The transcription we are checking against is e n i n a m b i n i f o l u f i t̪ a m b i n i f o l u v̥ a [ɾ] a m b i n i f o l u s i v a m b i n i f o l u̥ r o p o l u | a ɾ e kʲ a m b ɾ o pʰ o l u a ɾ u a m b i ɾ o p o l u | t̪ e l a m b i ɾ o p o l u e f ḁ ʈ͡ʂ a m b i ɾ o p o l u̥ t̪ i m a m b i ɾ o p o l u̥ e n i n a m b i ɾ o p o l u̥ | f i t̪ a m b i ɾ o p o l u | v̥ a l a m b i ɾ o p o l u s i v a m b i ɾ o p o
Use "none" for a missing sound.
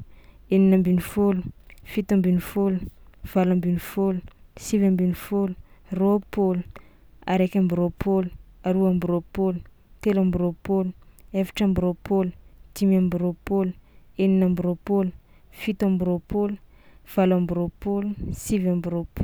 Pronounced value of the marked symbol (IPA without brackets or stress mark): l